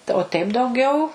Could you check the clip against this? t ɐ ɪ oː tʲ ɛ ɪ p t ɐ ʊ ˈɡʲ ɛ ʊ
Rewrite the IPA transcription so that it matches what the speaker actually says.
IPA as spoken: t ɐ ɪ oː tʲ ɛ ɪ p d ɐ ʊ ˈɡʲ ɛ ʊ